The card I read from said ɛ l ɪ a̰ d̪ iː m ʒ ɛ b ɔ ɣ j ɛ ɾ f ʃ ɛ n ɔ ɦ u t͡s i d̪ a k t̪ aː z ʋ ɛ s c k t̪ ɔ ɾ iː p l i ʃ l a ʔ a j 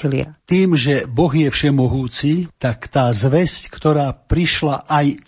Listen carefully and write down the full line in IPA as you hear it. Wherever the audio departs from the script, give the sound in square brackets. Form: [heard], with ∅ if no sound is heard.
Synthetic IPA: [i] l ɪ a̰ [t̪] iː m ʒ ɛ b ɔ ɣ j ɛ [∅] f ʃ ɛ [m] ɔ ɦ [uː] t͡s i [t̪] a k t̪ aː z ʋ ɛ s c k t̪ ɔ ɾ [aː] p [ɾ] i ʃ l a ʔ a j